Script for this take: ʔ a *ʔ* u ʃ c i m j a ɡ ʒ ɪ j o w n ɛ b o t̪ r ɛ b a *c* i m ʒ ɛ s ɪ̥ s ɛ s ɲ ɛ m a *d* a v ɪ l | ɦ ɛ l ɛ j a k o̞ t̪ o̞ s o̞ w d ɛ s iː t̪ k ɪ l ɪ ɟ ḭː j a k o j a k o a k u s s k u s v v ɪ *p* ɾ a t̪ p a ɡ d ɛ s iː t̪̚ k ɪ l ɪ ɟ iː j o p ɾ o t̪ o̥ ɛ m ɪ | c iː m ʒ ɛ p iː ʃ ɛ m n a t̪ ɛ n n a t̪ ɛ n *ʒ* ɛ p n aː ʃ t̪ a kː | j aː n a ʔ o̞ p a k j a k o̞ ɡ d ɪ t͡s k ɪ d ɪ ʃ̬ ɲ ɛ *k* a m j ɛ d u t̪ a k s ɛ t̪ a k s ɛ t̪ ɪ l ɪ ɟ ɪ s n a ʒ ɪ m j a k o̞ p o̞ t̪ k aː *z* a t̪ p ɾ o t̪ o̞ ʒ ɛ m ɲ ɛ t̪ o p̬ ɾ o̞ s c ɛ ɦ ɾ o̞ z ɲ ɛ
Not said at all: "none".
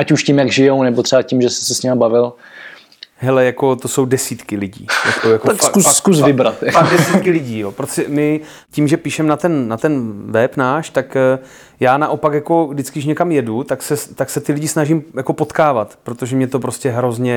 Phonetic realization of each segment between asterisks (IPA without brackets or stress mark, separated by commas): c, c, b, b, v, k, v